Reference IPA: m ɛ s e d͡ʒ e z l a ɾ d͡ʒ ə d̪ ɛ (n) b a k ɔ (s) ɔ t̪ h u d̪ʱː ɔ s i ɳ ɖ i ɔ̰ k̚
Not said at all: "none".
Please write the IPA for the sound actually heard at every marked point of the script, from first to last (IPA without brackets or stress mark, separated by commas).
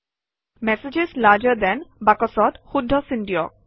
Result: n, s